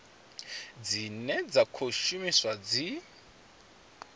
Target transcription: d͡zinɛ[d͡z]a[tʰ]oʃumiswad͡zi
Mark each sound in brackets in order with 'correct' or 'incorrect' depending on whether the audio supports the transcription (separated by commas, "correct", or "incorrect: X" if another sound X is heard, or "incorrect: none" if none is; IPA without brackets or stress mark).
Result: correct, incorrect: kʰ